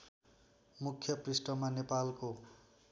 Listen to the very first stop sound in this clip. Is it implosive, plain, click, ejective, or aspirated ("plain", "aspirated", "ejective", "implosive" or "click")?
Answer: aspirated